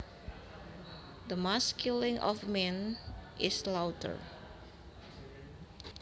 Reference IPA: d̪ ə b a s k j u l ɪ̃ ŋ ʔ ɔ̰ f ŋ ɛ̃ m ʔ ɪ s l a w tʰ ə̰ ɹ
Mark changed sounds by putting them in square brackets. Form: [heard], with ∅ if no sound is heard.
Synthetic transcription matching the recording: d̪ ə [m] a s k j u l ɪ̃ ŋ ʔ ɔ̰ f [m] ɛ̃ [n] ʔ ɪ s l a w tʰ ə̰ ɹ